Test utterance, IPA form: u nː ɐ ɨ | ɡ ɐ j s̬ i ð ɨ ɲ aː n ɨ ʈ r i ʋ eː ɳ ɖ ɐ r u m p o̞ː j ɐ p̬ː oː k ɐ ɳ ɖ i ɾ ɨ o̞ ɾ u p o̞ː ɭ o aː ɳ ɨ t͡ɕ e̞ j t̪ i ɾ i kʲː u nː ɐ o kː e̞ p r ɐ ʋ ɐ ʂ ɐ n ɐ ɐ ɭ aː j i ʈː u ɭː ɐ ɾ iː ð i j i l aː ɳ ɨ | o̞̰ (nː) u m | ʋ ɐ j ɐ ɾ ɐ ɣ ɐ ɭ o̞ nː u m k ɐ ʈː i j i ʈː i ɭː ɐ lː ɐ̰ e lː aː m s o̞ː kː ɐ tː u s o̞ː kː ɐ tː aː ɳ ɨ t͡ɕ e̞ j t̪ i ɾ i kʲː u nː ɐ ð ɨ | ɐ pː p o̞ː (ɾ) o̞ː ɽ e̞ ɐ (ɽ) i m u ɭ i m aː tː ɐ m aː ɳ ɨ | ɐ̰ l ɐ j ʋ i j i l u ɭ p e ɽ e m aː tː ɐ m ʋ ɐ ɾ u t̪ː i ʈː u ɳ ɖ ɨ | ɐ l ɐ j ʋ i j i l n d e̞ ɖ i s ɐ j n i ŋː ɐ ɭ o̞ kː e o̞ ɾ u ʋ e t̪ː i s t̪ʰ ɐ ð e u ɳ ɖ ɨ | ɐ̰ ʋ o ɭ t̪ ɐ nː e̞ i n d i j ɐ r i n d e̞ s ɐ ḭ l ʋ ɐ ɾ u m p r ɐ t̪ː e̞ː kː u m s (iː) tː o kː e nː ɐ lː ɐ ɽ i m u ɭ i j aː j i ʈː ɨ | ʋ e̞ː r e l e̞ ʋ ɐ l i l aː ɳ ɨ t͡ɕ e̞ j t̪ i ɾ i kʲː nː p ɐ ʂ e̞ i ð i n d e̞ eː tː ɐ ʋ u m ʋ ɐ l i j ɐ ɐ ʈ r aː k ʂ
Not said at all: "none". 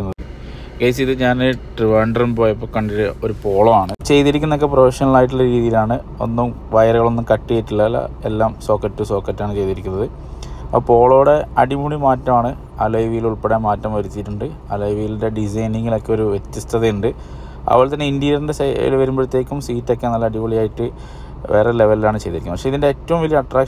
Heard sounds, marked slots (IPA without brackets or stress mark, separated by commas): nː, ɭ, ɽ, iː